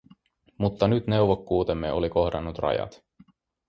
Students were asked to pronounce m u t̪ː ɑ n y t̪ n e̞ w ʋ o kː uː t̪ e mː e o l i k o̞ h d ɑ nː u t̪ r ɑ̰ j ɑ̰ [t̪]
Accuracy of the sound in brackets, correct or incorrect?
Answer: correct